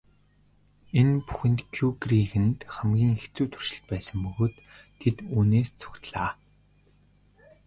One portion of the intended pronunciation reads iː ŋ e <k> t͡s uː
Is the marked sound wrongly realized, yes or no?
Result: yes